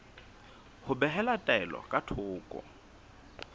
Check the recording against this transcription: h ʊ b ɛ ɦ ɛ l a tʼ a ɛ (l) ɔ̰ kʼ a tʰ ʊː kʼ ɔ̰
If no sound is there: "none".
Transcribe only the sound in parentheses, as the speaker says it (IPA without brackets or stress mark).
l